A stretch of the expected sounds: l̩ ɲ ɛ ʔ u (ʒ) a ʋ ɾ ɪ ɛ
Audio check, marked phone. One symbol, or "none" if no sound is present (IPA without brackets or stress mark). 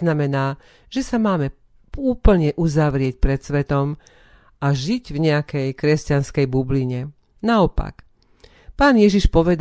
z